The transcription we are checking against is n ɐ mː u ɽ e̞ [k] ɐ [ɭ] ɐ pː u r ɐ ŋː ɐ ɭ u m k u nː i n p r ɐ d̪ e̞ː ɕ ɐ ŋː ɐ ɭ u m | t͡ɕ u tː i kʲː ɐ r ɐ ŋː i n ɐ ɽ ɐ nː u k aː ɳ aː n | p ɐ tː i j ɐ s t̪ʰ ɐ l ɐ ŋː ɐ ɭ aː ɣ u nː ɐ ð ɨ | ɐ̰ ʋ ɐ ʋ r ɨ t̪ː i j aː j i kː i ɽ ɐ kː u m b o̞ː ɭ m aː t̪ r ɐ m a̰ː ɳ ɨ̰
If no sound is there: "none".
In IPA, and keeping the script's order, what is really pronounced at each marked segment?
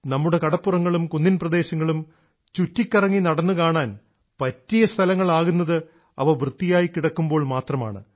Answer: k, ɽ

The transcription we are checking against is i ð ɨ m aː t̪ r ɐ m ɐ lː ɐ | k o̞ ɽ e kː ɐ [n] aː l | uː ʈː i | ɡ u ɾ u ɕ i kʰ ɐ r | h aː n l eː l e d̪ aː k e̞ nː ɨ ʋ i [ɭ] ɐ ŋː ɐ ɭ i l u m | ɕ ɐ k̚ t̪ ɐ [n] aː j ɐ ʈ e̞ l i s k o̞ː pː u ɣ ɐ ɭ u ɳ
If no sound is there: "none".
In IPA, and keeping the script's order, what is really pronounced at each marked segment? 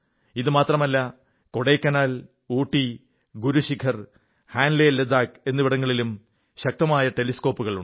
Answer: n, ɽ, m

